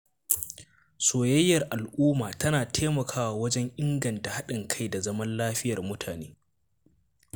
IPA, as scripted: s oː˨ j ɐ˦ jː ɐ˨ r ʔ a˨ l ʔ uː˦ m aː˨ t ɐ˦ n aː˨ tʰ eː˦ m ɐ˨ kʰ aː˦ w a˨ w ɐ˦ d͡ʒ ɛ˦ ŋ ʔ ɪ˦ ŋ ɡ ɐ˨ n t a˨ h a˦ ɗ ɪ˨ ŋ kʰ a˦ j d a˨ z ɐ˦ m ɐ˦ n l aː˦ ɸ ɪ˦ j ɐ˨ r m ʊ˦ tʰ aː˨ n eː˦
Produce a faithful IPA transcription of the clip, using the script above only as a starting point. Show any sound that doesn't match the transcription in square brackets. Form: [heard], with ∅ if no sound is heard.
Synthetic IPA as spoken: s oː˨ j ɐ˦ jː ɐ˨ r ʔ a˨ l ʔ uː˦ m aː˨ t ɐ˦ n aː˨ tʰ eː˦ m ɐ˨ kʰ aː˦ w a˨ w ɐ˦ d͡ʒ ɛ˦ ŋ ʔ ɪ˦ ŋ ɡ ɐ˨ n t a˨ h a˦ ɗ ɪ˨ ŋ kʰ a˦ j d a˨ z ɐ˦ m ɐ˦ n l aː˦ ɸ ɪ˦ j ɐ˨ r m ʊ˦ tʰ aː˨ n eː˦